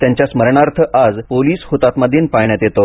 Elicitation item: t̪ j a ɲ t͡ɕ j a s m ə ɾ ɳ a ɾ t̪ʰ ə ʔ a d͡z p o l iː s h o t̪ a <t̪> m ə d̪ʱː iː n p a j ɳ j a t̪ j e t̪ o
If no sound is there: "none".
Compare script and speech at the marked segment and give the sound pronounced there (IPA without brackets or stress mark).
t̪